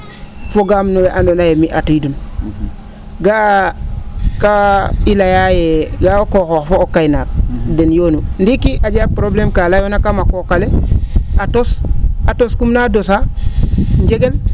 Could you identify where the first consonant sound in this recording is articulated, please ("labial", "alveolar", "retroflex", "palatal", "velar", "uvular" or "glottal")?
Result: labial